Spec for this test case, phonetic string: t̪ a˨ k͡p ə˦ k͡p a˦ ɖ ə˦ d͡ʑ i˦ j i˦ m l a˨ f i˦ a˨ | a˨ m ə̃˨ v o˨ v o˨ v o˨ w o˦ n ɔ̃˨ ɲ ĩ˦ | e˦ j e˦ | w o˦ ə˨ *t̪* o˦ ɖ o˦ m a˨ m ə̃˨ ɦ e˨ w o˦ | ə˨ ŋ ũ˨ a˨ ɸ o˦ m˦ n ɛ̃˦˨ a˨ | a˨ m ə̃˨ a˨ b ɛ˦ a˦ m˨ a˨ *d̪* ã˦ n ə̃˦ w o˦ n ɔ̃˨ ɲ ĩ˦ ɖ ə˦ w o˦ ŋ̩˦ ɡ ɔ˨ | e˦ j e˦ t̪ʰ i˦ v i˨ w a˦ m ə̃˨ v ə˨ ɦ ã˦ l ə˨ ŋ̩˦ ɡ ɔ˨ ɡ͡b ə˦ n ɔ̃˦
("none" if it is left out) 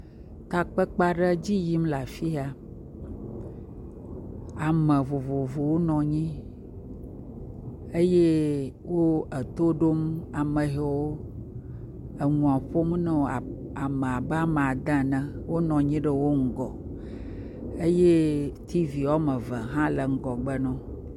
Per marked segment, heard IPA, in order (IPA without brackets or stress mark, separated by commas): t̪, d̪